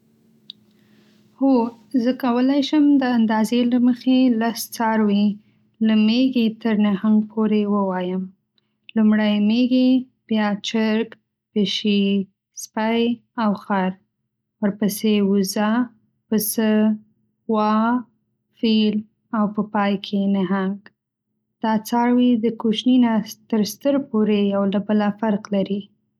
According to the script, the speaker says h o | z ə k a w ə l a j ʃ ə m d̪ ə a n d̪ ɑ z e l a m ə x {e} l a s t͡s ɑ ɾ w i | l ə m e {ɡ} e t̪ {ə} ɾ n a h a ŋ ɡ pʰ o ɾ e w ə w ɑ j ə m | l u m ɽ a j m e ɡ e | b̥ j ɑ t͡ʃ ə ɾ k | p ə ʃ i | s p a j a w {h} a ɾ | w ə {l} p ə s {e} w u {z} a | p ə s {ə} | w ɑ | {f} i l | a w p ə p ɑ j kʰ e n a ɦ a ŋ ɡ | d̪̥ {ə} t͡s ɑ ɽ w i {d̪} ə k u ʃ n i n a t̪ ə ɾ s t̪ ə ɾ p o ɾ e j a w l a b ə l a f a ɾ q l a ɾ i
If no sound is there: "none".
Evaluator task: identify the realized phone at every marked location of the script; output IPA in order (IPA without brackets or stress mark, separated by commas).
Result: e, ɡ, ə, x, ɾ, e, z, ə, f, ɑ, d̪